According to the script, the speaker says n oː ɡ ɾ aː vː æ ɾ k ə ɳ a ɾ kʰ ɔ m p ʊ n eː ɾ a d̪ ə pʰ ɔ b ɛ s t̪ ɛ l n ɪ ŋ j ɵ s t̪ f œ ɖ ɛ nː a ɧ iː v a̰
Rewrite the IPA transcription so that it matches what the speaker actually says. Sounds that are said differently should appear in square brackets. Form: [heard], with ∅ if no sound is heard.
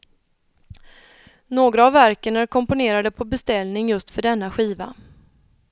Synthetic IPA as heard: n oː ɡ ɾ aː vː æ ɾ k ə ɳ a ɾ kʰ ɔ m p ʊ n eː ɾ a d̪ ə pʰ ɔ b ɛ s t̪ ɛ l n ɪ ŋ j ɵ s t̪ f œ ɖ ɛ nː a ɧ iː v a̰